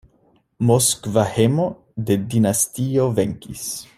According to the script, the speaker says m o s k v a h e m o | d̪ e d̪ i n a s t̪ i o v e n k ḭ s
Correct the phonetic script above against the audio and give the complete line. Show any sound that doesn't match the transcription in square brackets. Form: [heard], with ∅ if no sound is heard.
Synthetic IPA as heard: m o s k v a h e m o | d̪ e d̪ i n a s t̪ i o v e [ŋ] k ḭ s